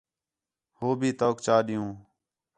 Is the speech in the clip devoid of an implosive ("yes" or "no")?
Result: no